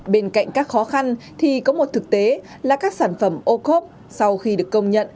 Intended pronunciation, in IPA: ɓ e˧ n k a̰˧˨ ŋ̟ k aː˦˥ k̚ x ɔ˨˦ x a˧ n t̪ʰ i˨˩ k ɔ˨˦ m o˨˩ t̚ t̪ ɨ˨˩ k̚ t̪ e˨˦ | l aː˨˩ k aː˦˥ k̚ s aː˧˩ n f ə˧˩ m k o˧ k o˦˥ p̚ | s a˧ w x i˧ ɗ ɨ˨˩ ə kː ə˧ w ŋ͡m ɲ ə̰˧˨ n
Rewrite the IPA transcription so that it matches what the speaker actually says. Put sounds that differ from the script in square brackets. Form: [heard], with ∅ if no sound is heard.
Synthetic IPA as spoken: ɓ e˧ n k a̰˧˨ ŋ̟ k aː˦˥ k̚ x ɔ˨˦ x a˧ n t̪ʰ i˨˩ k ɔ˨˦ m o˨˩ t̚ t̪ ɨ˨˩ k̚ t̪ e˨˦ | l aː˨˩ k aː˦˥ k̚ s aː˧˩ n f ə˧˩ m [ʔ] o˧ k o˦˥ p̚ | s a˧ w x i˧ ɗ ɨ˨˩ ə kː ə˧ w ŋ͡m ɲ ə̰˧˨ n